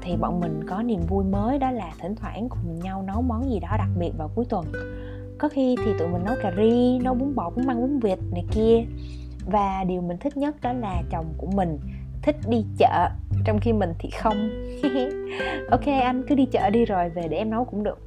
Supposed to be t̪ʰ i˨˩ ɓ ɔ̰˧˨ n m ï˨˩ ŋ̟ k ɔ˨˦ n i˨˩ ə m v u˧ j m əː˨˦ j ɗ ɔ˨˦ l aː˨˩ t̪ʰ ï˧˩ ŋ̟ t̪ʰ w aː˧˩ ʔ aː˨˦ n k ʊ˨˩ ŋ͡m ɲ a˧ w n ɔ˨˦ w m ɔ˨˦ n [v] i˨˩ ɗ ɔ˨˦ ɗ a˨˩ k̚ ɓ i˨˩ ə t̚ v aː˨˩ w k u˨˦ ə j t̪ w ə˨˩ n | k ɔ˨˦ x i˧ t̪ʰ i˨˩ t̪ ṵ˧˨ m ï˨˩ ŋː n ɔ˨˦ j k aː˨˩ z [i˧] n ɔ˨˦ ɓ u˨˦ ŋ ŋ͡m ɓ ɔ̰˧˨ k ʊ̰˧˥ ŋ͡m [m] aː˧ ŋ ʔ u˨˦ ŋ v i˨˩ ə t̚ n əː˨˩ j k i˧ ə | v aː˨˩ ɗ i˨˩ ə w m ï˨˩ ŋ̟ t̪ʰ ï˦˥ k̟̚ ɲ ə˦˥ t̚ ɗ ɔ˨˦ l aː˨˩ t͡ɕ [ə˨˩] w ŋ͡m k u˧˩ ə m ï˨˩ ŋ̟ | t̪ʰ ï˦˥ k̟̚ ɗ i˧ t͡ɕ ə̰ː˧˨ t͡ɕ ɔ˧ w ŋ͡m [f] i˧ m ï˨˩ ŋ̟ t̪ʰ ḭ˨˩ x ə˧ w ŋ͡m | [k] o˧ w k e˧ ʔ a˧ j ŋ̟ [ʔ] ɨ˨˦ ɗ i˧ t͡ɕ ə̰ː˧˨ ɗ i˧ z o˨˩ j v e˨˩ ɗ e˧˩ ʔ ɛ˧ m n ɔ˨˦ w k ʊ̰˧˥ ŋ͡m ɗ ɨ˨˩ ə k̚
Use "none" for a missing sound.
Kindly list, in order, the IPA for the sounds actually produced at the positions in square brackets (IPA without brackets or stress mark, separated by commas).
z, i˧, m, ə˨˩, x, ʔ, k